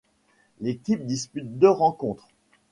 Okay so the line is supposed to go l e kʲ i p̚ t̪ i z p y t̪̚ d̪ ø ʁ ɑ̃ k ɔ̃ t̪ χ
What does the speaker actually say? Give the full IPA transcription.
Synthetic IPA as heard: l e kʲ i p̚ d̪ i s p y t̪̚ d̪ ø ʁ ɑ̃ k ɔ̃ t̪ χ